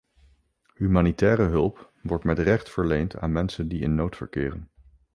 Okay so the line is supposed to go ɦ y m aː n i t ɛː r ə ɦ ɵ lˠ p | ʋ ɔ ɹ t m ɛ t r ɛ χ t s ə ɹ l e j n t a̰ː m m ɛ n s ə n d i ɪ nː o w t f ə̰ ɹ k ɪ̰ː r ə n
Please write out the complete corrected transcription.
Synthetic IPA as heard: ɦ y m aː n i t ɛː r ə ɦ ɵ lˠ p | ʋ ɔ ɹ t m ɛ t r ɛ χ t f ə ɹ l e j n t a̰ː n m ɛ n s ə n d i ɪ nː o w t f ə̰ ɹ k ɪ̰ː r ə n